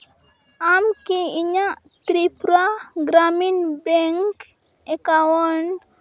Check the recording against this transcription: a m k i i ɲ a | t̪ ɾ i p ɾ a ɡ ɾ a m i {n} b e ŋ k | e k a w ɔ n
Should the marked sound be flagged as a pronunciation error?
no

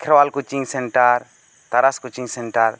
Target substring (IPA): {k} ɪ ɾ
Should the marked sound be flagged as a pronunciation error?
yes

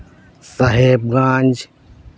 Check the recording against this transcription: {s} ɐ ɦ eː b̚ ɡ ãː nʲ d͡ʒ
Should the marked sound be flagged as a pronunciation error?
no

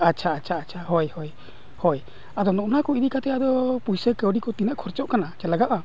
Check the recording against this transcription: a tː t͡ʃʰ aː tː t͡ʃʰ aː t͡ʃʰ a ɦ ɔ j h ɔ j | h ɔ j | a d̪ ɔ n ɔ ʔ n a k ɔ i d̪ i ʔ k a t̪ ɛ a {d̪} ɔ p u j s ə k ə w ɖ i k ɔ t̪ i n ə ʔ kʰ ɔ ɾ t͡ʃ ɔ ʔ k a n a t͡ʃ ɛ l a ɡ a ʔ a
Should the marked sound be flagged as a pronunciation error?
no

